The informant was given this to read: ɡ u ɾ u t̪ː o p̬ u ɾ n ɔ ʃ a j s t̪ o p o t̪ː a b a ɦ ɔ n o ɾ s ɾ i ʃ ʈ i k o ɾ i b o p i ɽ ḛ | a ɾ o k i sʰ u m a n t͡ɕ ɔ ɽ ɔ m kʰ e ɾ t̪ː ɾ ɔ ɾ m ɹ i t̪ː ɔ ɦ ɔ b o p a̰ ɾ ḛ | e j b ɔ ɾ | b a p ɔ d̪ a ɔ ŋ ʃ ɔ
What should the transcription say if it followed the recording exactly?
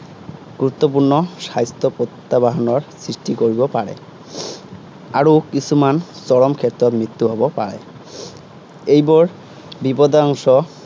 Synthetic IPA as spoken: ɡ u ɾ u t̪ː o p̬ u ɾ n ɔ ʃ a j s t̪ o p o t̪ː a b a ɦ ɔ n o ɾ s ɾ i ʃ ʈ i k o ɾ i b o p a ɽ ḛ | a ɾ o k i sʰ u m a n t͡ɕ ɔ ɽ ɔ m kʰ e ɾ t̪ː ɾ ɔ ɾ m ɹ i t̪ː u ɦ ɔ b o p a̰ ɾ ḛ | e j b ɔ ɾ | b i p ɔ d̪ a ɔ ŋ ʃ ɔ